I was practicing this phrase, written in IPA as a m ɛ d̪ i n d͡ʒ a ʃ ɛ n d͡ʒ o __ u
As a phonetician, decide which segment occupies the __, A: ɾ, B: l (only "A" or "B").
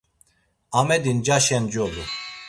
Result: B